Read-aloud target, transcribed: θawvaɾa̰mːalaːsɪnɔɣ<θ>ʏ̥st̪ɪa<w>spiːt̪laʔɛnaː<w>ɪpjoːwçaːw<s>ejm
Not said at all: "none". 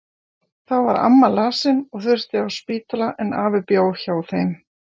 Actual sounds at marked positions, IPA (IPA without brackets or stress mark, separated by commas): θ, w, v, θ